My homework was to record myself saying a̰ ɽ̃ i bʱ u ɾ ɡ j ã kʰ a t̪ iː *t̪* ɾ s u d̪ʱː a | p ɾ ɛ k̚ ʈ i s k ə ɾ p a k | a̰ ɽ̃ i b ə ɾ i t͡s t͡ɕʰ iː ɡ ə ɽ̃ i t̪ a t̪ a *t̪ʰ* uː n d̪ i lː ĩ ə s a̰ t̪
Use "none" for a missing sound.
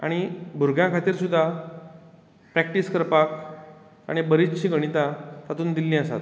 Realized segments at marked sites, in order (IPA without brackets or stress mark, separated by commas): none, t̪